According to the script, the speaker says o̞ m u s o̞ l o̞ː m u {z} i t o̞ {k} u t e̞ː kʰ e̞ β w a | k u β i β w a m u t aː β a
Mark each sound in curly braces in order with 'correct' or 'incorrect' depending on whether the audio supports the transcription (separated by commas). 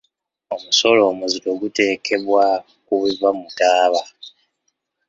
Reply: correct, incorrect